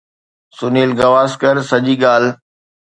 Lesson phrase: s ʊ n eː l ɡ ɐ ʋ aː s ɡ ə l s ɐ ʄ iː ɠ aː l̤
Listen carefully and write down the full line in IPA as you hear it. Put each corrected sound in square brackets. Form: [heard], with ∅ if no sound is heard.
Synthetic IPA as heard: s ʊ n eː l ɡ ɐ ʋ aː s [k] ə [ɾ] s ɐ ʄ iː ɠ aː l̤